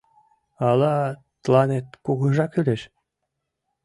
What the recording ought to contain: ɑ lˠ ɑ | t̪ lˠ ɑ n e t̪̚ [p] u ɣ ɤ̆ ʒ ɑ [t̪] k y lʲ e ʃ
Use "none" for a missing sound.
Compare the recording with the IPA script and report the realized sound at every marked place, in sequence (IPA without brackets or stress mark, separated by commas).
k, none